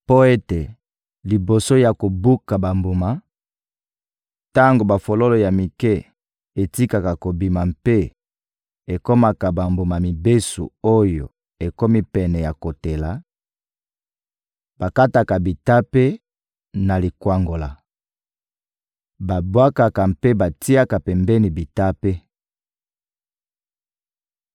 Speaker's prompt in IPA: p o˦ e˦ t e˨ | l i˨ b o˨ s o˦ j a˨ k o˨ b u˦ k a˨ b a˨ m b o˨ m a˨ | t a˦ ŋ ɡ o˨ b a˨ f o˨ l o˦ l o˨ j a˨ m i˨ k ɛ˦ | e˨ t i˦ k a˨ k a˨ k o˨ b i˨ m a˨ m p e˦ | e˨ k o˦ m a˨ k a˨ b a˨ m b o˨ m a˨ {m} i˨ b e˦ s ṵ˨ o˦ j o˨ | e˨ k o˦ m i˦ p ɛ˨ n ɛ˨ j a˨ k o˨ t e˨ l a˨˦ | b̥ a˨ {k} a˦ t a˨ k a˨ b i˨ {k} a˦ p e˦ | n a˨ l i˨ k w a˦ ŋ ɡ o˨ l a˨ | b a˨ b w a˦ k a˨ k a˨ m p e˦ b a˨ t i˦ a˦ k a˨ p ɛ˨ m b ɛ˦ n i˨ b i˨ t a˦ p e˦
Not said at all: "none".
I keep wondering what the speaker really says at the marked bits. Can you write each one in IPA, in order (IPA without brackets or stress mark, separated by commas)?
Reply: m, k, t